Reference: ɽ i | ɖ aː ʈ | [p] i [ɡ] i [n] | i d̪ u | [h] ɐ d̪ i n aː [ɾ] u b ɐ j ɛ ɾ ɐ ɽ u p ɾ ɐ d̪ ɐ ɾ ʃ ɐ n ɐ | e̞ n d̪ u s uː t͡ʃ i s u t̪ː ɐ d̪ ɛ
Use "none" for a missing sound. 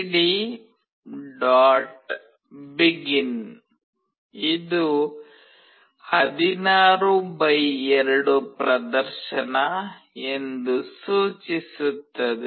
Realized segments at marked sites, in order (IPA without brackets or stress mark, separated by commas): b, ɡ, n, h, ɾ